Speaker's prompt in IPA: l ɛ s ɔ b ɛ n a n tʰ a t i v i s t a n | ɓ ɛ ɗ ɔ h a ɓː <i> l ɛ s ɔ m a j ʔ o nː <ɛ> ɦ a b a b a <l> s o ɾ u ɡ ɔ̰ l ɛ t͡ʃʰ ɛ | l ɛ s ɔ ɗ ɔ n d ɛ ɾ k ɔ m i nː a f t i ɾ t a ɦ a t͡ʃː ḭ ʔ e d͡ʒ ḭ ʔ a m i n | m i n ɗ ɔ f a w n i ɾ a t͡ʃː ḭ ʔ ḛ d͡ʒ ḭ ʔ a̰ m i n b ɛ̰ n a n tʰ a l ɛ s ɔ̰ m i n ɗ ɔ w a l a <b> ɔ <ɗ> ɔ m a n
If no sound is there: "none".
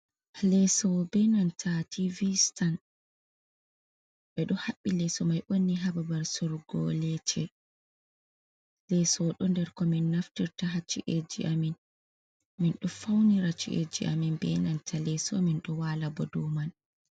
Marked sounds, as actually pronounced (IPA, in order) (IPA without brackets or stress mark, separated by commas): i, i, ɾ, b, d